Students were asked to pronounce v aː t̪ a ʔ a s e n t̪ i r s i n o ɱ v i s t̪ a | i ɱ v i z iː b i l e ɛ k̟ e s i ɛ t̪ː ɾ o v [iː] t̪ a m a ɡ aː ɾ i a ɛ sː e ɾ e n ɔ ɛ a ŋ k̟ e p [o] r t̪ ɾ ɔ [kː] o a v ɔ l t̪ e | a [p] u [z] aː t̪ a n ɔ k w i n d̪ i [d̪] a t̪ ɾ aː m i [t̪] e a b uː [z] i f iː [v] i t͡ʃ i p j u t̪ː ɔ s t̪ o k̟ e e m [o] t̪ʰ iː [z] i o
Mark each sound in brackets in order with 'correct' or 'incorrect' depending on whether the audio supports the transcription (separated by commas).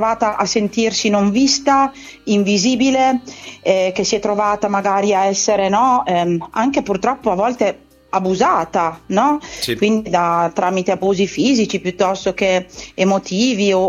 incorrect, incorrect, incorrect, incorrect, correct, correct, correct, correct, incorrect, correct, incorrect